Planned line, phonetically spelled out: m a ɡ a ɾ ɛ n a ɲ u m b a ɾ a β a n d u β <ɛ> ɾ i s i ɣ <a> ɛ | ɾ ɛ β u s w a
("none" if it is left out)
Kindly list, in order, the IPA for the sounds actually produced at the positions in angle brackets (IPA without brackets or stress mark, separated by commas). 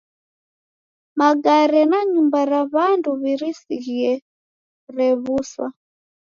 i, i